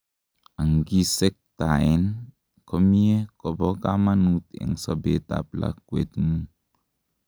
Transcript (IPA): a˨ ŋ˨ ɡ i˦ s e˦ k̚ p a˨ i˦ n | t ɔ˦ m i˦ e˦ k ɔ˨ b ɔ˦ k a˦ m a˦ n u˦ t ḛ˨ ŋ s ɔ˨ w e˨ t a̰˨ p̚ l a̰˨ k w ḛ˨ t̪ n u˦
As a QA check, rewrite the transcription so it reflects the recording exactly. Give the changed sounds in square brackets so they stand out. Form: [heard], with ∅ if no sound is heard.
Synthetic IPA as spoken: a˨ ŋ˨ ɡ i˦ s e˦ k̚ [t] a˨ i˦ n | [k] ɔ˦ m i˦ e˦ k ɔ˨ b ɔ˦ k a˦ m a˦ n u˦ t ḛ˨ ŋ s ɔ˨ [b] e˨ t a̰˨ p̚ l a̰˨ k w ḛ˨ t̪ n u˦